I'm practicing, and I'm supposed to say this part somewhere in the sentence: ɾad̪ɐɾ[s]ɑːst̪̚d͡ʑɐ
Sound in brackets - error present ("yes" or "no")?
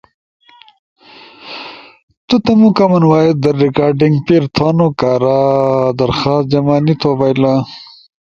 yes